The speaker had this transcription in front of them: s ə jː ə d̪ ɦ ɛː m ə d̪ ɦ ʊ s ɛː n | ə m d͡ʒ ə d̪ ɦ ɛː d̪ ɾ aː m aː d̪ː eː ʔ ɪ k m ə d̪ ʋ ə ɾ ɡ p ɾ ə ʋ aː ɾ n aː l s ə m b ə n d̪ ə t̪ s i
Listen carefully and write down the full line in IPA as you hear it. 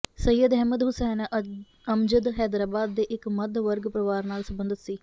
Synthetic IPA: s ə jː ə d̪ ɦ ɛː m ə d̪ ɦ ʊ s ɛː n | ə m d͡ʒ ə d̪ ɦ ɛː d̪ ɾ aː b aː d̪ː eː ʔ ɪ k m ə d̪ ʋ ə ɾ ɡ p ɾ ə ʋ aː ɾ n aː l s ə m b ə n d̪ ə t̪ s iː